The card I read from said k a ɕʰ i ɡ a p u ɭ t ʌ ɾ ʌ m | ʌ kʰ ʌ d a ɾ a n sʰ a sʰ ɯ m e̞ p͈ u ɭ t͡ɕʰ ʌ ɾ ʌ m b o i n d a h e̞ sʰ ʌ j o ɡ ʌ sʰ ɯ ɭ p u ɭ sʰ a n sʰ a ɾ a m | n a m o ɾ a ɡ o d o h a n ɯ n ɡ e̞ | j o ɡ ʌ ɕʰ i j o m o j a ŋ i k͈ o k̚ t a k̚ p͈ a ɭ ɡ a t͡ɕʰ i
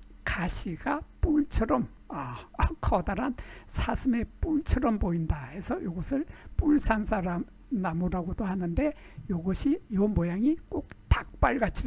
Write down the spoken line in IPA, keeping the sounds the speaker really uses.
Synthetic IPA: k a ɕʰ i ɡ a p u ɭ t͡ɕʰ ʌ ɾ ʌ m | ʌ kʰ ʌ d a ɾ a n sʰ a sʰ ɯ m e̞ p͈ u ɭ t͡ɕʰ ʌ ɾ ʌ m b o i n d a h e̞ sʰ ʌ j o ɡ ʌ sʰ ɯ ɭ p u ɭ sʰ a n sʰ a ɾ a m | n a m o ɾ a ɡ o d o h a n ɯ n d e̞ | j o ɡ ʌ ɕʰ i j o m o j a ŋ i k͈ o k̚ t a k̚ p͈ a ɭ ɡ a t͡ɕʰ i